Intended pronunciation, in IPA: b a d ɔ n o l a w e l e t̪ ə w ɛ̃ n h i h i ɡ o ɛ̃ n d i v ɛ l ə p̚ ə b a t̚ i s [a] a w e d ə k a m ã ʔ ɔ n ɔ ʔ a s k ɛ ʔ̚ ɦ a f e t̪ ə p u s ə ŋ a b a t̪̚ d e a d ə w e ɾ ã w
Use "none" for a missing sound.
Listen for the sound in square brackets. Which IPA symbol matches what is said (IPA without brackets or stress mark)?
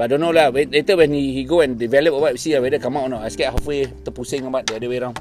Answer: i